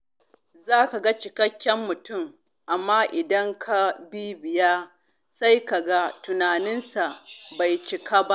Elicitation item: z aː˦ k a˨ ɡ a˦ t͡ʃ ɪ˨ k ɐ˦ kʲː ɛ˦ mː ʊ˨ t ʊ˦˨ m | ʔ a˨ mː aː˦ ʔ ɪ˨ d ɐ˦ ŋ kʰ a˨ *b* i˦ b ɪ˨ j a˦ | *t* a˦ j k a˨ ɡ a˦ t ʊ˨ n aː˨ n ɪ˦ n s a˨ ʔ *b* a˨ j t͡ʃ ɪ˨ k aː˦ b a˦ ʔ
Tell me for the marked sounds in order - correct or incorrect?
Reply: correct, incorrect: s, correct

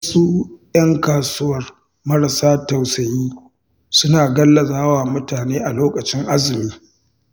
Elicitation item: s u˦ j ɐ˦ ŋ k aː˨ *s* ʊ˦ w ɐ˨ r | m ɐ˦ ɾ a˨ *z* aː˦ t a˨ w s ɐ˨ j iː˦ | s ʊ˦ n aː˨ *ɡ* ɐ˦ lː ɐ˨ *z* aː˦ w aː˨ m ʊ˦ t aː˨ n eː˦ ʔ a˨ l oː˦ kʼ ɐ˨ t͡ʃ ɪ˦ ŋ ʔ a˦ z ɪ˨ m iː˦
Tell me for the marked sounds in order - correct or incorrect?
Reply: correct, incorrect: s, correct, correct

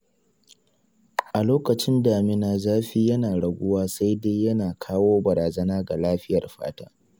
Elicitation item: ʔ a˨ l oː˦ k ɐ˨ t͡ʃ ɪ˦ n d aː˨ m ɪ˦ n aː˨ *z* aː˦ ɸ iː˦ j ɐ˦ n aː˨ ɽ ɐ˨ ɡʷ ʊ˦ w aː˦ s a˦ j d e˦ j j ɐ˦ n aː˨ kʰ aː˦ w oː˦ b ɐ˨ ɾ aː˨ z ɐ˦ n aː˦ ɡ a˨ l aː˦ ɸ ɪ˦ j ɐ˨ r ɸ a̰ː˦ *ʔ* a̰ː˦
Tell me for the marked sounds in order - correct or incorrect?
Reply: correct, incorrect: t

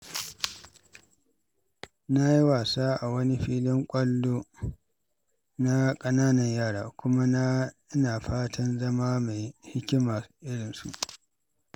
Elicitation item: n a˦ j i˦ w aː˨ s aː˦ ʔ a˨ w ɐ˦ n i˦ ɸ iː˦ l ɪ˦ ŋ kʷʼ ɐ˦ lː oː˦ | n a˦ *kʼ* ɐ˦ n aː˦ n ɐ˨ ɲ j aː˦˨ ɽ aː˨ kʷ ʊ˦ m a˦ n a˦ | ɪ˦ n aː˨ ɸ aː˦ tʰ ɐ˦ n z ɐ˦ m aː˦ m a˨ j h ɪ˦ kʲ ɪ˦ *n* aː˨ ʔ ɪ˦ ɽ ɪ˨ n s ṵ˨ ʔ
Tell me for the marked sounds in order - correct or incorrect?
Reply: correct, incorrect: m

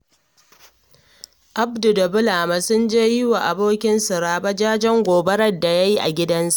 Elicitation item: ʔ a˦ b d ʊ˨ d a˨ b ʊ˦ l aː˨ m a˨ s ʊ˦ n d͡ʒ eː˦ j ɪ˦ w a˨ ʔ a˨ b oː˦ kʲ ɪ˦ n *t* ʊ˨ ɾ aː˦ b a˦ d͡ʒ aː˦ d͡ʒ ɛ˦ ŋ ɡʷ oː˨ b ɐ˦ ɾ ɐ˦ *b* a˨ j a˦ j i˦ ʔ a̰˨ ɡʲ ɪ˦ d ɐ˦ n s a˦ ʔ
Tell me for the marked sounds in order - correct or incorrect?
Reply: incorrect: s, incorrect: d

